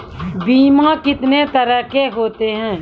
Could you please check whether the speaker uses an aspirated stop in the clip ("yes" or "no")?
no